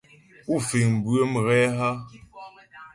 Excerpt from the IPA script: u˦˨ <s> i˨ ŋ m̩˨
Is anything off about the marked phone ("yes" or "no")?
yes